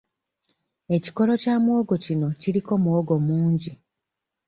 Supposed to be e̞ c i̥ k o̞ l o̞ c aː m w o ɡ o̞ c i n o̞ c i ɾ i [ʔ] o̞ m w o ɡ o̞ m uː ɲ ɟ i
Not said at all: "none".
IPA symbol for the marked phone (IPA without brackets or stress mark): k